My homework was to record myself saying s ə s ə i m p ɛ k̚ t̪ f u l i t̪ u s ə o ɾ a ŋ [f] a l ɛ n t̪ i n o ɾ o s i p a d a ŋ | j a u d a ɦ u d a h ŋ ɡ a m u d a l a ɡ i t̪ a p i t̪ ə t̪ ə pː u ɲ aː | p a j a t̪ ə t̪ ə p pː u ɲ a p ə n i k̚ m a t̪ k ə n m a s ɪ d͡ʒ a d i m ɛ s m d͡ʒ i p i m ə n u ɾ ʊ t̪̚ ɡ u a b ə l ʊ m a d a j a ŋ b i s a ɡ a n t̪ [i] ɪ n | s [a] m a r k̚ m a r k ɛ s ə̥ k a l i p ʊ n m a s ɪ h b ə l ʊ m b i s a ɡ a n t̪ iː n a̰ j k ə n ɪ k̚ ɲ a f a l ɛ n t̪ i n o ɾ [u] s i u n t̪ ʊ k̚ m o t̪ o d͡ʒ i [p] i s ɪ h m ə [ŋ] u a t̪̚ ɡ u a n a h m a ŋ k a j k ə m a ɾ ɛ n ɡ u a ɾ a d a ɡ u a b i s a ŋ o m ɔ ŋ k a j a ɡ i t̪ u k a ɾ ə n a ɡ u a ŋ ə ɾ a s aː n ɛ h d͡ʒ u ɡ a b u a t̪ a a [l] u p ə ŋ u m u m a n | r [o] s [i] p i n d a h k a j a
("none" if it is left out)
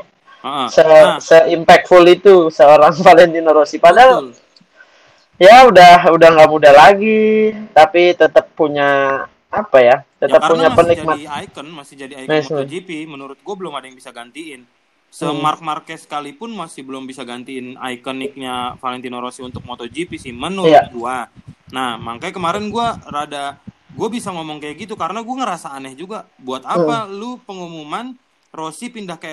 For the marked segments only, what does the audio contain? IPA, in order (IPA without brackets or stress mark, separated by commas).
f, i, ə, o, p, n, l, o, i